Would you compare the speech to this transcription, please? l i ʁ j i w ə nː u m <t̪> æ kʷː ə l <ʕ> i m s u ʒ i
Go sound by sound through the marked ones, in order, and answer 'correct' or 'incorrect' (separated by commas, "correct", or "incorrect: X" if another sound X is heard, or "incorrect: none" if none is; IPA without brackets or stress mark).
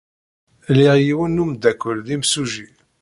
incorrect: d̪, incorrect: ð